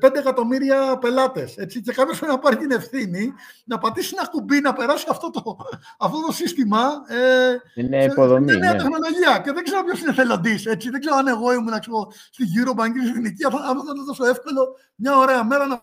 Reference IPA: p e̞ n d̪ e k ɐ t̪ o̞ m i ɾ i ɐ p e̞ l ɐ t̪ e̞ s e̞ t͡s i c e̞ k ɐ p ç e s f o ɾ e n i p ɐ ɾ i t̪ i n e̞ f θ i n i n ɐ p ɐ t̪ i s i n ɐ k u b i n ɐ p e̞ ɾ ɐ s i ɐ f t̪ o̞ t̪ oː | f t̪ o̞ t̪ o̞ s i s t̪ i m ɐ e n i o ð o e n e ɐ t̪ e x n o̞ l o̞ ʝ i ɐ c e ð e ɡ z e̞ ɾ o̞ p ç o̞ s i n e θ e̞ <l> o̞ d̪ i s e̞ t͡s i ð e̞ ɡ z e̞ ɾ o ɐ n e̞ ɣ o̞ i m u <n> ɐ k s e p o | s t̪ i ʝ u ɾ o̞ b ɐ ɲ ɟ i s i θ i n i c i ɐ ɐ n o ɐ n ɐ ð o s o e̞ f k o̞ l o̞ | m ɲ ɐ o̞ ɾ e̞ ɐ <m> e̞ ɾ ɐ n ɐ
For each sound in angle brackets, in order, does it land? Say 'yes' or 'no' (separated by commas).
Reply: yes, yes, yes